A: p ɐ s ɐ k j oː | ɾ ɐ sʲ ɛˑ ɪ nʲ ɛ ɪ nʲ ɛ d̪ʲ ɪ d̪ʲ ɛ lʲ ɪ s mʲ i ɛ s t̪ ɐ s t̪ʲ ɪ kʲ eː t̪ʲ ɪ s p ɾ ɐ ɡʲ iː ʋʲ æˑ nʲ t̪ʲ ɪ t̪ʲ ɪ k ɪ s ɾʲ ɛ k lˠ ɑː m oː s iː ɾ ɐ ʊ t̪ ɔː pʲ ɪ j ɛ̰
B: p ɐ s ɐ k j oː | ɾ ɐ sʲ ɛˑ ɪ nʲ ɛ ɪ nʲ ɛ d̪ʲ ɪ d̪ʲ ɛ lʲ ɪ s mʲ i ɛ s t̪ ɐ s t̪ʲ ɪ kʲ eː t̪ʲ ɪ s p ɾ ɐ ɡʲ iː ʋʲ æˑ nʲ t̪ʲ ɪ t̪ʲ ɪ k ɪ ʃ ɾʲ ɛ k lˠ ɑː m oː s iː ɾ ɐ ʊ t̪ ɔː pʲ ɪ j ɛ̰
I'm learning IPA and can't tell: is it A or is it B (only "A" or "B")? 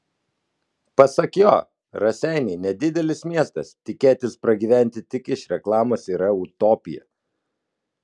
B